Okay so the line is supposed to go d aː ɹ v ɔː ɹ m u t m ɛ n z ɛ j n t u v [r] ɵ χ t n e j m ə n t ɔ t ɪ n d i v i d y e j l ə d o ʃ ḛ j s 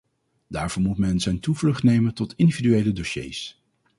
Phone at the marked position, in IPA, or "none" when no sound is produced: l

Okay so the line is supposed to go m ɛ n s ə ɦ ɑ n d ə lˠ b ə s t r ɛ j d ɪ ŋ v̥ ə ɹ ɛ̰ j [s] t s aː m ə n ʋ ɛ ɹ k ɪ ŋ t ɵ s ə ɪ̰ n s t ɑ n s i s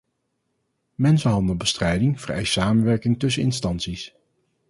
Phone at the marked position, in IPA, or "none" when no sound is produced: s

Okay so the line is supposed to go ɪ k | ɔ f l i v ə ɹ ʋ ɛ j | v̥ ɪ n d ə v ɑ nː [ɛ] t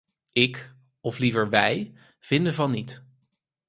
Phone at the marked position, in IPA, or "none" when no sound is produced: i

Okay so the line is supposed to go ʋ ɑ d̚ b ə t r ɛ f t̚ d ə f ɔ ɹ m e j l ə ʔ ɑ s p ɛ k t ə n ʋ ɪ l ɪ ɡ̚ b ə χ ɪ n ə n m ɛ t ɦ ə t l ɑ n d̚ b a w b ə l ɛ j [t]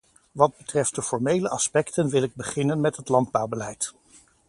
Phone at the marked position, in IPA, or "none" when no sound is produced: t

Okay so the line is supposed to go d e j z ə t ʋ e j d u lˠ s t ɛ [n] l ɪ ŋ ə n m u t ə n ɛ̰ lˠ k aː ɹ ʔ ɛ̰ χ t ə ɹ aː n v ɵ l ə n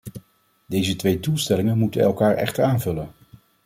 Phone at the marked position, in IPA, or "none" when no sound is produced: none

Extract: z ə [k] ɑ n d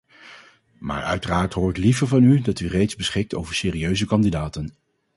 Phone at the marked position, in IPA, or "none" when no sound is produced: k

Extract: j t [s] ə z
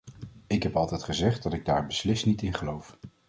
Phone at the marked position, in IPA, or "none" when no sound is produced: χ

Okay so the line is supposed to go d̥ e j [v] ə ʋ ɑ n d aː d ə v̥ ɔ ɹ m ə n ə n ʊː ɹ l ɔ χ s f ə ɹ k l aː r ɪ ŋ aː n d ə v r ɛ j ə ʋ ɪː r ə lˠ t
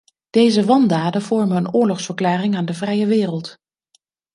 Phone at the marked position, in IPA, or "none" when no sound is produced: z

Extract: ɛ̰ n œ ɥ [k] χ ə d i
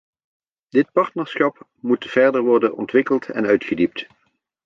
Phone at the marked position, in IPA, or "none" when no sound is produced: t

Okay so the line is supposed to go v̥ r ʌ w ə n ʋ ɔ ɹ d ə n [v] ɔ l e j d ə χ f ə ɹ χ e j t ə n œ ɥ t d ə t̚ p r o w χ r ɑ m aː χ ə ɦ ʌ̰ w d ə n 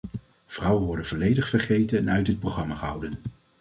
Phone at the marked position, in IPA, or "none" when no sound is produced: v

